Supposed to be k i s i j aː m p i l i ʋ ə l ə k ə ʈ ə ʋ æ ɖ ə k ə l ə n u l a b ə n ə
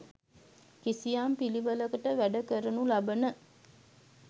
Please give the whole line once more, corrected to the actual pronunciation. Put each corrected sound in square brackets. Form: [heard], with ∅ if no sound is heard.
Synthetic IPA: k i s i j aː m p i l i ʋ ə l ə k ə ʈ ə ʋ æ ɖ ə k ə [ɾ] ə n u l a b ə n ə